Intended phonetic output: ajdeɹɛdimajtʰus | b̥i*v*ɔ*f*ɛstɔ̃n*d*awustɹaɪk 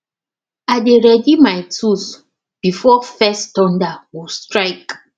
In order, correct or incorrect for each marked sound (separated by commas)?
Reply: incorrect, correct, correct